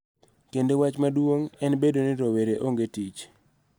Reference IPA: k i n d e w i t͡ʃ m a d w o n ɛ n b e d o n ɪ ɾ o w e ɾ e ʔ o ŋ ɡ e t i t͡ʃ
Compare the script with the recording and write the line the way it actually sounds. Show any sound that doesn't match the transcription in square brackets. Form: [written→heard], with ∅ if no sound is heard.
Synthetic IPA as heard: k [i→e] n d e w [i→a] t͡ʃ m a d w o [n→ŋ] ɛ n b e d o n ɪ ɾ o w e ɾ e ʔ o ŋ ɡ e t i t͡ʃ

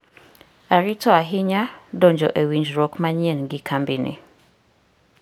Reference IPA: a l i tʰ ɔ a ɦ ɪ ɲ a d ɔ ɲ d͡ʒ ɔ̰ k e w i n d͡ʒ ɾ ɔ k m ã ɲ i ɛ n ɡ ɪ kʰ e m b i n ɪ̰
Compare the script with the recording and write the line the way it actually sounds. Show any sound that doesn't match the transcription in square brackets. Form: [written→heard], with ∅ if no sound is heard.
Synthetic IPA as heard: a [l→ɾ] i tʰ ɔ a ɦ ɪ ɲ a d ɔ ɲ d͡ʒ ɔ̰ [k→ʔ] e w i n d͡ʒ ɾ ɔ k m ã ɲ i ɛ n ɡ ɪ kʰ [e→a] m b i n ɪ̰

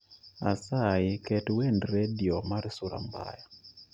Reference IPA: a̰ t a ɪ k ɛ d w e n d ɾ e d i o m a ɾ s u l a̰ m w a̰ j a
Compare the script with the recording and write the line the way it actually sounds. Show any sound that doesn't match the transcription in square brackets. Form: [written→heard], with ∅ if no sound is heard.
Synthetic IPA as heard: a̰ [t→s] a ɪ k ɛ [d→t] w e n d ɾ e d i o m a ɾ s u [l→ɾ] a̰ m [w→b] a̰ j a

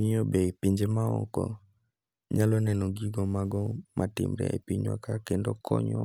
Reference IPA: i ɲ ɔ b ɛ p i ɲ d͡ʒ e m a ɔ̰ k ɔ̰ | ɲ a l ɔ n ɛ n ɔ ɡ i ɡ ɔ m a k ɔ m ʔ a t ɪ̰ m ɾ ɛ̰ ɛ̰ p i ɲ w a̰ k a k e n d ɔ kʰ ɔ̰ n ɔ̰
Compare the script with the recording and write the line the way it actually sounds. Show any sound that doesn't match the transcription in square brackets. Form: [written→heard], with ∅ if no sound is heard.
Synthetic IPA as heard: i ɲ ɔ b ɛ p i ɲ d͡ʒ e m a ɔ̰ k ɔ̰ | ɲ a l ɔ n ɛ n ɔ ɡ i ɡ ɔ m a [k→ɡ] ɔ m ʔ a t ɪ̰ m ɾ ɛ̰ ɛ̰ p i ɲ w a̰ k a k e n d ɔ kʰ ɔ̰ [n→ɲ] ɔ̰

